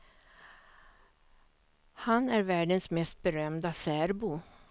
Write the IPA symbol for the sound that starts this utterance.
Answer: h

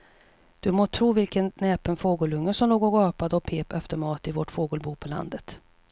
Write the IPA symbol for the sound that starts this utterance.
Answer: d̪̥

